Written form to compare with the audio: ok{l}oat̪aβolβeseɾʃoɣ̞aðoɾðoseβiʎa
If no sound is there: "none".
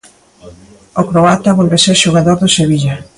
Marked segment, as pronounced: ɾ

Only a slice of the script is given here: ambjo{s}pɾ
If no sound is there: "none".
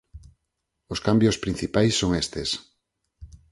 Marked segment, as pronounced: s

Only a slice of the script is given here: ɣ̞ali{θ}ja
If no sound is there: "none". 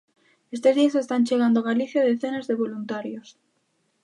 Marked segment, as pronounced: θ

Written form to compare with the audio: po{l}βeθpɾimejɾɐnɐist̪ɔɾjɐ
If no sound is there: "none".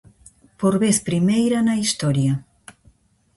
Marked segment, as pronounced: ɾ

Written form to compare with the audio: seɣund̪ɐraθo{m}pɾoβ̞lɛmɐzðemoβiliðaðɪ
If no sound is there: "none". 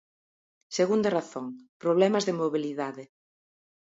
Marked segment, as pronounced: ŋ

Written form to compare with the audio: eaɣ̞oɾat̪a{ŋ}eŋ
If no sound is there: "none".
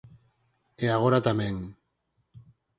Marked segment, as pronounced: m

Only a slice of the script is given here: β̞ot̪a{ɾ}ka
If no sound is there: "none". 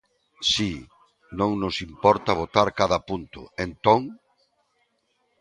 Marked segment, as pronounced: ɾ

